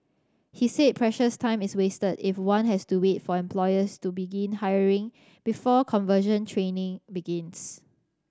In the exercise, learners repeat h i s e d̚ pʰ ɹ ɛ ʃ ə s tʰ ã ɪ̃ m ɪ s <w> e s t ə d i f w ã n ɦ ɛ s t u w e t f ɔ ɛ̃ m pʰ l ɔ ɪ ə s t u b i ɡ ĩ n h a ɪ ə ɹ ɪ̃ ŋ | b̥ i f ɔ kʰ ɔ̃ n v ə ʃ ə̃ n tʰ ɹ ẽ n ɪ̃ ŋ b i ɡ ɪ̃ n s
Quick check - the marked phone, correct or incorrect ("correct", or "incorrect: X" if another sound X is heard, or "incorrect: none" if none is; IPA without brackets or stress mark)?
correct